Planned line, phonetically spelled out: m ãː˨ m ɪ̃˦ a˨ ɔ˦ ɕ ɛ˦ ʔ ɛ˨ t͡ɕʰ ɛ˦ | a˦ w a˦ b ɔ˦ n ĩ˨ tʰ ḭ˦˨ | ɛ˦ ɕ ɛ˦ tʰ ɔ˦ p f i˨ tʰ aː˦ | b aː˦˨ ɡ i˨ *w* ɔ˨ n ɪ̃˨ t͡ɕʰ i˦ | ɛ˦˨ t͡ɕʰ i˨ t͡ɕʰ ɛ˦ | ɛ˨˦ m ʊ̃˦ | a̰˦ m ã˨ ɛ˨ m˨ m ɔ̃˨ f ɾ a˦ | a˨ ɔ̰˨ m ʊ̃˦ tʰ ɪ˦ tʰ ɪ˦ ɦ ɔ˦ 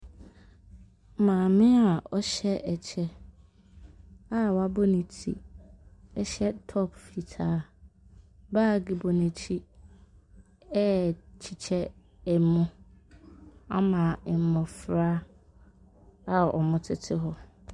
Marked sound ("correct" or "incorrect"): incorrect